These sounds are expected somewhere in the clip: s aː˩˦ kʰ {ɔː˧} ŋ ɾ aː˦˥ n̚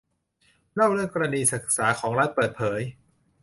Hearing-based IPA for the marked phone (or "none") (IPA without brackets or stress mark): ɔː˩˦